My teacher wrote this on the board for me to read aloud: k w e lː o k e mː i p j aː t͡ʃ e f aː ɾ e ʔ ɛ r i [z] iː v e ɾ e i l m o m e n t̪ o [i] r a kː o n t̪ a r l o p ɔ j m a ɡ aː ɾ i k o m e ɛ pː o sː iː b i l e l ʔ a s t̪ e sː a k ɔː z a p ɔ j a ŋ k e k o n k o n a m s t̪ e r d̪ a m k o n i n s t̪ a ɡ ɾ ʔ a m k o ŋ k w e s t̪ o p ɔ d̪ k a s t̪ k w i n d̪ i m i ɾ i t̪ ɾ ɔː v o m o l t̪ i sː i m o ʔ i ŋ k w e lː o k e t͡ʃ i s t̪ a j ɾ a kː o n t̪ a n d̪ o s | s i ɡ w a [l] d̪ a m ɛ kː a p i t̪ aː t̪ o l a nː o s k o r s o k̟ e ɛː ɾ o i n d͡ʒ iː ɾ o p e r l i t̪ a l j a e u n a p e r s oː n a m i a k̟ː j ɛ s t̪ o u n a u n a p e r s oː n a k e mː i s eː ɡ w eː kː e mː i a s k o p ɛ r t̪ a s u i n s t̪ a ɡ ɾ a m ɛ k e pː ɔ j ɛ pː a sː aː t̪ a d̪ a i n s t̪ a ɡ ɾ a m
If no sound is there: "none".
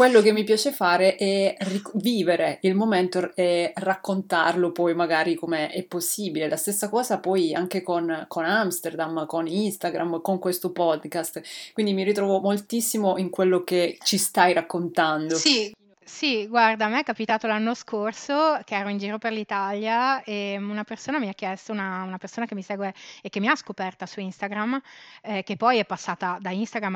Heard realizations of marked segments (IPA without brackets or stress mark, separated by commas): v, ɛ, r